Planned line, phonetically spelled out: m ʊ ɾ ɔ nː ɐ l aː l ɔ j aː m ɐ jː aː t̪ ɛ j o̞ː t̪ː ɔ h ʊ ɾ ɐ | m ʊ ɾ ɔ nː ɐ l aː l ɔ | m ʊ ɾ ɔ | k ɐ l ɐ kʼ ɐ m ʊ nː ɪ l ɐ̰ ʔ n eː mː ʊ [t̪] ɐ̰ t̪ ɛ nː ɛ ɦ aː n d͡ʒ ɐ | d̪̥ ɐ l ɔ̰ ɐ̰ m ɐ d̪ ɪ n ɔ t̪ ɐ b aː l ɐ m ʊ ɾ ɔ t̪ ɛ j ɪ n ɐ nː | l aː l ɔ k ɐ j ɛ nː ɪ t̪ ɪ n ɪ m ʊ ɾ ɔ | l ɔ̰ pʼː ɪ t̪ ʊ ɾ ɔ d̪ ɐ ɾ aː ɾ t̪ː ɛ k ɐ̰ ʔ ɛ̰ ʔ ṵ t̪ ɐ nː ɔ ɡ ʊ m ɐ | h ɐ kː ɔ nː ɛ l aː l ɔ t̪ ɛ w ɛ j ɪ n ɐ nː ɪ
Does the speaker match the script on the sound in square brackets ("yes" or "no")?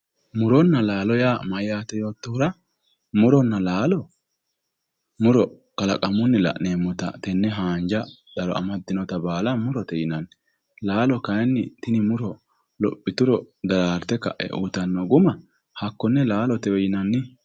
yes